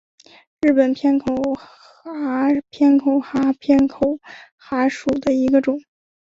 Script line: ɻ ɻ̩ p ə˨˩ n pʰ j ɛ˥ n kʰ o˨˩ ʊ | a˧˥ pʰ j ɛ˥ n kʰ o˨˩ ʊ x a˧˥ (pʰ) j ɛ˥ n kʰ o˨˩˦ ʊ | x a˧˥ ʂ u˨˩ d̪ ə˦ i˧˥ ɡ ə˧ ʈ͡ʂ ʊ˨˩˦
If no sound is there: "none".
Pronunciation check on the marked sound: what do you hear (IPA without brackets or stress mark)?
pʰ